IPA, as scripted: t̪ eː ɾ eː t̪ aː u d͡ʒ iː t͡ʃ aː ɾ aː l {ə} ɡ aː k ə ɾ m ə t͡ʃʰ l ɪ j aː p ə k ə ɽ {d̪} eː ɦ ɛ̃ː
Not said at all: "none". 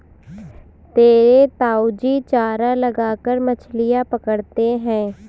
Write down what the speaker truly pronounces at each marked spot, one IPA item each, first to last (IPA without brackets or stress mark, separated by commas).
ə, t̪